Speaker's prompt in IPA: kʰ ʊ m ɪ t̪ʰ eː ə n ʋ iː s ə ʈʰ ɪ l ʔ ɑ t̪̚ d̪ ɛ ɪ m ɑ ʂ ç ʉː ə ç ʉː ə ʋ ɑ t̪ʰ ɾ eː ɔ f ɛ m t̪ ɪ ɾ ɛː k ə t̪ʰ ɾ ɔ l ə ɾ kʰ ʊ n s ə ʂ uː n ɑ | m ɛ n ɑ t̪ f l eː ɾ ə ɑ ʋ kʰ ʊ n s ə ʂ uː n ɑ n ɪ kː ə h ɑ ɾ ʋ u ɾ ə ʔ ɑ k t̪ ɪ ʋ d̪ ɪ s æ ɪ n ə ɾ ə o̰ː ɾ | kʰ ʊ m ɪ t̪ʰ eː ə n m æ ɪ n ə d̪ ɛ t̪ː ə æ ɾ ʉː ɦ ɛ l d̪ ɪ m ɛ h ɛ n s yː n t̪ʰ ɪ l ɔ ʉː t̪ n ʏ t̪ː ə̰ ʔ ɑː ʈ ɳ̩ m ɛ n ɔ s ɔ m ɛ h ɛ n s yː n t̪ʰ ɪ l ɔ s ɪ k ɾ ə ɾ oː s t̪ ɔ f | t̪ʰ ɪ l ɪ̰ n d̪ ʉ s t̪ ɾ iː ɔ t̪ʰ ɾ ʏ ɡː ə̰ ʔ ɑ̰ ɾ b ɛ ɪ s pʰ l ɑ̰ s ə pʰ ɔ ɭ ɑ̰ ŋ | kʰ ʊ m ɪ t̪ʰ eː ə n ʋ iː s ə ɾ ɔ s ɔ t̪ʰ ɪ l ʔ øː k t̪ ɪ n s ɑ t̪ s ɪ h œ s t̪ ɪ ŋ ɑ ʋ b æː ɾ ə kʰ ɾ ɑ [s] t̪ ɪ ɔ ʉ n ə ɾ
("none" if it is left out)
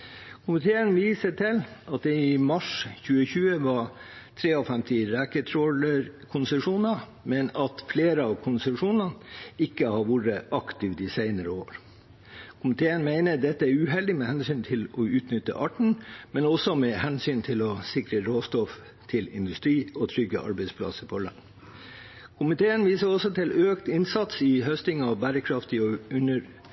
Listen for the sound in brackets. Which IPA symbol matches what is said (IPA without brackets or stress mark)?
f